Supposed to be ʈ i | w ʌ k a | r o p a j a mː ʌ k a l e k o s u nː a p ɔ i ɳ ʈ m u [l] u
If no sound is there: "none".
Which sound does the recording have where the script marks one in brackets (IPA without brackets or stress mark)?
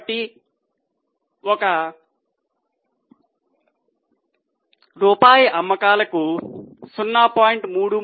ɽ